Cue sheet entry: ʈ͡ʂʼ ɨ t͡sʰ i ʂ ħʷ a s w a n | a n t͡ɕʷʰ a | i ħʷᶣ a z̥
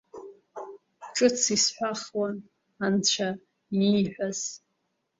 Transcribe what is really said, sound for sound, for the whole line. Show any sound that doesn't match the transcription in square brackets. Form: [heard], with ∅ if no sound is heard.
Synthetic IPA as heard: ʈ͡ʂʼ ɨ t͡sʰ i [s] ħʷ a [χ] w a n | a n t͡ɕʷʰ a | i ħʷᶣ a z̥